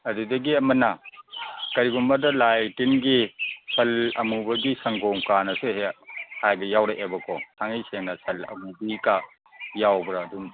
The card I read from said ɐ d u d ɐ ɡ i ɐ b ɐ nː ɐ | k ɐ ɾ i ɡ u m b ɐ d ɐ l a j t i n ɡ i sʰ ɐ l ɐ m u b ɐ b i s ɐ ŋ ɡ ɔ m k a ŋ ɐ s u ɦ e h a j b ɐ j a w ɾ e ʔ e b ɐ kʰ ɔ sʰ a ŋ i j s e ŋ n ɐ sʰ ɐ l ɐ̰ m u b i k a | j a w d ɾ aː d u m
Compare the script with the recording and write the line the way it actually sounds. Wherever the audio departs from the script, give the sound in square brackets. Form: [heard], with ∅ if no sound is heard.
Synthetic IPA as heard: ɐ d u d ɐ ɡ i ɐ [m] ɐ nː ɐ | k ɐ ɾ i ɡ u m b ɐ d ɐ l a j t i n ɡ i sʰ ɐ l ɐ m u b ɐ [ɡ] i s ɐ ŋ ɡ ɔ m k a [n] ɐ s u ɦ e h a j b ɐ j a w ɾ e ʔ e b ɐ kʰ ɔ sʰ a ŋ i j s e ŋ n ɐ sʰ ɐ l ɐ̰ m u b i k a | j a w [b] ɾ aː d u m